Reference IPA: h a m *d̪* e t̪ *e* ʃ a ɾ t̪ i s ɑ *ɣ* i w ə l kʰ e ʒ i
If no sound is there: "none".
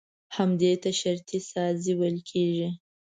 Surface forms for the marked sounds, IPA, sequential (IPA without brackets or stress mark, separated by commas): d̪, a, z